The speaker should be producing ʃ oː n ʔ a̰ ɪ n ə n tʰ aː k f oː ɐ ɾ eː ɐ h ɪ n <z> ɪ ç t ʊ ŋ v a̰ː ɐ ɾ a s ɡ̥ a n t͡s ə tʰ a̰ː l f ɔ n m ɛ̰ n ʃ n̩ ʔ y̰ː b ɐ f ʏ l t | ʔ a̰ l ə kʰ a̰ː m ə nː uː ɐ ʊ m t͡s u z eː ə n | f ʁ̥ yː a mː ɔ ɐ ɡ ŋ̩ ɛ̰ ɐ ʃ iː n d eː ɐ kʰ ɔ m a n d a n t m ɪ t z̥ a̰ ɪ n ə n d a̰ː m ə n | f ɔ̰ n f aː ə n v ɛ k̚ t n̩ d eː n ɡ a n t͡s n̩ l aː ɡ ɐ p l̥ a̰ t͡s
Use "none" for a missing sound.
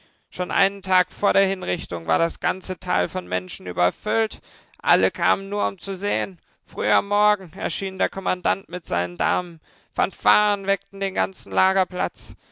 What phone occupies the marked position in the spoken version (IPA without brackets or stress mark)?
ʁ